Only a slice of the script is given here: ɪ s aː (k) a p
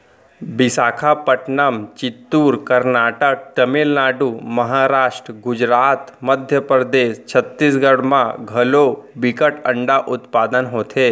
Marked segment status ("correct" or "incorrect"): incorrect